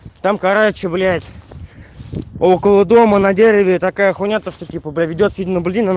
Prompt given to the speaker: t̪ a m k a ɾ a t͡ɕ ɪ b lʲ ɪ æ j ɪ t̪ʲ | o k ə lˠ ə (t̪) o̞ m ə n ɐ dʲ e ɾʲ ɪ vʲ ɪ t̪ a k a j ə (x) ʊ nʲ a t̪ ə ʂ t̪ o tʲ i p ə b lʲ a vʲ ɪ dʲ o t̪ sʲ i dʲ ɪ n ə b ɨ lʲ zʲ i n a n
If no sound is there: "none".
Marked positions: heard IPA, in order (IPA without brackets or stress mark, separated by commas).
d̪, x